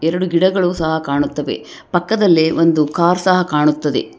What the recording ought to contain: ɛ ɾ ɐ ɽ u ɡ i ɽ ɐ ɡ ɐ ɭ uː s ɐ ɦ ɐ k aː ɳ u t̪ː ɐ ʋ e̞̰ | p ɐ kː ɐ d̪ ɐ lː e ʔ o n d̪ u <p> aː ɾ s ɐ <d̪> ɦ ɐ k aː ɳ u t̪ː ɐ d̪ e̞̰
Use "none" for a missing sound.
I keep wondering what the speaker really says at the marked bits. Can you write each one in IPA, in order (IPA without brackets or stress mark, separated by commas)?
k, none